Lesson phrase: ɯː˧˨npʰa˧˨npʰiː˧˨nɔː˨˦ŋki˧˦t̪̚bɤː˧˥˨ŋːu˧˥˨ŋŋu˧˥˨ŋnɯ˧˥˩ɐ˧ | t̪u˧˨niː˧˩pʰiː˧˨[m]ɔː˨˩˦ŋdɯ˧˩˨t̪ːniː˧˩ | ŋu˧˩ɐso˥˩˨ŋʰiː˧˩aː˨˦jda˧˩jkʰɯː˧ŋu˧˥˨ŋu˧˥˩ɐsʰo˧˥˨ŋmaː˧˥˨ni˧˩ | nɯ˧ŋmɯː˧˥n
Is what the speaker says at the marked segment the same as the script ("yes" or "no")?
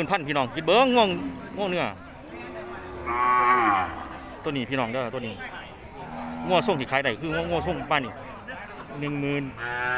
no